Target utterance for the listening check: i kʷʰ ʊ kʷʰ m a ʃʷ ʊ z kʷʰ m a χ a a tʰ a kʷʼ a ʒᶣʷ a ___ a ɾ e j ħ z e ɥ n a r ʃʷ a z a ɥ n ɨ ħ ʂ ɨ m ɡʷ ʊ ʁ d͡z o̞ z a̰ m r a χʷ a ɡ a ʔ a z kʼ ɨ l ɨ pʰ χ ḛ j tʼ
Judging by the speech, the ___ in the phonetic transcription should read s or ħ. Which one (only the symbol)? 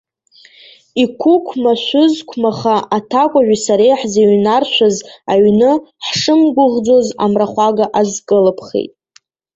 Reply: s